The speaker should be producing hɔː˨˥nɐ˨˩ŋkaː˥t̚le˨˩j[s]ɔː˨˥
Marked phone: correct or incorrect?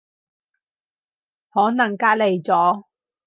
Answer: incorrect